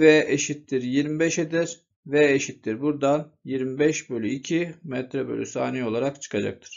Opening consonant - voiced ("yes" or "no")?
yes